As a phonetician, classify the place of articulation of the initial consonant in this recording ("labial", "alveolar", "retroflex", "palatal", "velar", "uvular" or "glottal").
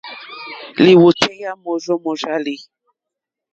alveolar